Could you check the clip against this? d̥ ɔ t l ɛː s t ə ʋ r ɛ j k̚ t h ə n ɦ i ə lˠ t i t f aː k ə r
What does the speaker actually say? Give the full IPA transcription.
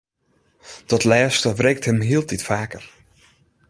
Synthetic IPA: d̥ ɔ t l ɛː s t ə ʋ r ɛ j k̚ t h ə m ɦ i ə lˠ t i t f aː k ə r